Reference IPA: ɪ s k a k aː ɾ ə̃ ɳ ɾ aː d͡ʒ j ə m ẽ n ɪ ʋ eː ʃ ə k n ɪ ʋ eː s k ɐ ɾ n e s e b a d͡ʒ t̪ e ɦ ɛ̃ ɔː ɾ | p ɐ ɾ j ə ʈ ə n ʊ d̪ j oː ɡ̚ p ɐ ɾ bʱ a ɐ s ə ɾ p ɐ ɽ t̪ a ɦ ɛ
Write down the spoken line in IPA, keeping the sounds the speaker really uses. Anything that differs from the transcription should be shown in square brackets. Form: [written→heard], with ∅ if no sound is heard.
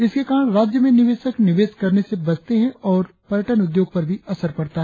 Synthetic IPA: ɪ s k [a→e] k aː ɾ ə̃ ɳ ɾ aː d͡ʒ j ə m ẽ n ɪ ʋ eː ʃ ə k n ɪ ʋ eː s k ɐ ɾ n e s e b [a→ɐ] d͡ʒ t̪ e ɦ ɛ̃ ɔː ɾ | p ɐ ɾ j ə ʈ ə n ʊ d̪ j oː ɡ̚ p ɐ ɾ bʱ [a→i] ɐ s ə ɾ p ɐ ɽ t̪ a ɦ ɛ